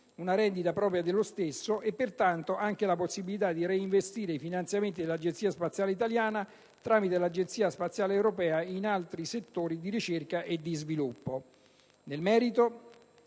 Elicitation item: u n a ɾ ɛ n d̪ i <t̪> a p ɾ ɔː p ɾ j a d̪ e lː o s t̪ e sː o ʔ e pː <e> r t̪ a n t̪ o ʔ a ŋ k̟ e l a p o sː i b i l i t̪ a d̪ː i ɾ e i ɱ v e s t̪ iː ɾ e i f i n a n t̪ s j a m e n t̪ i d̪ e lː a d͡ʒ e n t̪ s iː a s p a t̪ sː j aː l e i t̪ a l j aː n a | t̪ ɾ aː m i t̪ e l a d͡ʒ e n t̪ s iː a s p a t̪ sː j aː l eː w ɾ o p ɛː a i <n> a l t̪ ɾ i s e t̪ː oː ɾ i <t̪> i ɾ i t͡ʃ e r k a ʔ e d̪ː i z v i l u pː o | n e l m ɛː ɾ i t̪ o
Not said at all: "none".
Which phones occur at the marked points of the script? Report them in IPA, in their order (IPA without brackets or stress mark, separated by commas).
t̪, e, n, d̪